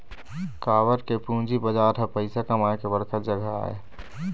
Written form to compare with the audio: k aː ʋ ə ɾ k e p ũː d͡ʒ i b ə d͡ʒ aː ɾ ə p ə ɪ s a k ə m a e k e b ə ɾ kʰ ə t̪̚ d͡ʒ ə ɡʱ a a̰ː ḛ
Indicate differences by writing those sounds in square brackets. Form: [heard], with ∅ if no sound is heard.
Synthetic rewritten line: k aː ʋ ə ɾ k e p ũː d͡ʒ i b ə d͡ʒ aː ɾ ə p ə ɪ s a k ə m a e k e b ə ɾ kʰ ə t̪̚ d͡ʒ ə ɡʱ a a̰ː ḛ